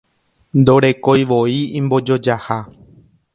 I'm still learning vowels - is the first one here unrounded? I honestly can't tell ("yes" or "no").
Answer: no